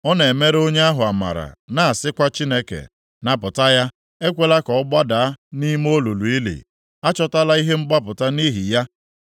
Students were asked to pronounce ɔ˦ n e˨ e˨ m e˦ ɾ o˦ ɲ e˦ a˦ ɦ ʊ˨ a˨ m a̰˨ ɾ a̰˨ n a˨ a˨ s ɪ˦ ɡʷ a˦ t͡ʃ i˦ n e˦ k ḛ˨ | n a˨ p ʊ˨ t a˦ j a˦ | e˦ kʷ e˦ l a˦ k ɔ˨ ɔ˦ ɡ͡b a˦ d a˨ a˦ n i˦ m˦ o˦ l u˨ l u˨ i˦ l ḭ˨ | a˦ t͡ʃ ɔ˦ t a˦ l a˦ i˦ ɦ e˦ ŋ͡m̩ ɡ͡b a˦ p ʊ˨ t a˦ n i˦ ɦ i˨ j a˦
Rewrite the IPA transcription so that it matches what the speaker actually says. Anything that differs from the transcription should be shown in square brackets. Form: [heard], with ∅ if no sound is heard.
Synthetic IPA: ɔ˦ n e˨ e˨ m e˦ ɾ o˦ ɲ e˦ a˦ ɦ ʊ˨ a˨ m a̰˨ ɾ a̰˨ n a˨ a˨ s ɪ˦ [kʷ] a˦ t͡ʃ i˦ n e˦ k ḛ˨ | n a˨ p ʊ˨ t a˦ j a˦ | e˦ kʷ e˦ l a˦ k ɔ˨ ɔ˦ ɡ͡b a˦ d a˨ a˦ n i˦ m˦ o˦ l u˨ l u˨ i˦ l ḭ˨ | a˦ t͡ʃ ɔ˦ t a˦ l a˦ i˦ ɦ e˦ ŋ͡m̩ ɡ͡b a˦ p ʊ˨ t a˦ n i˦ ɦ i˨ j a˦